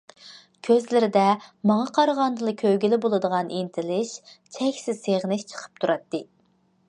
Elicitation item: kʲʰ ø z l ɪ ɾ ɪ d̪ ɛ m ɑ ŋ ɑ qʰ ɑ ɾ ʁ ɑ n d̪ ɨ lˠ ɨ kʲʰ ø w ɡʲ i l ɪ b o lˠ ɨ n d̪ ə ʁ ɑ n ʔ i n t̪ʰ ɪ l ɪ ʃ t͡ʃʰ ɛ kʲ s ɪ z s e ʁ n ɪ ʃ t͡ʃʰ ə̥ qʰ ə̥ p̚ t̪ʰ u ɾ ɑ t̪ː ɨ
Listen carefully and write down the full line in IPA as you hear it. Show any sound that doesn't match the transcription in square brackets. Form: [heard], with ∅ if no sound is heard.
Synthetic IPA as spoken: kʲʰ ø z l ɪ ɾ ɪ d̪ ɛ m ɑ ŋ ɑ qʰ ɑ ɾ ʁ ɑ n d̪ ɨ lˠ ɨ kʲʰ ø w ɡʲ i l ɪ b o lˠ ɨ [∅] d̪ ə ʁ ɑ n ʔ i n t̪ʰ ɪ l ɪ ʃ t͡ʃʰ ɛ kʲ s ɪ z s e ʁ n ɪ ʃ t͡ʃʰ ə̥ qʰ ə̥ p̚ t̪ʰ u ɾ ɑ t̪ː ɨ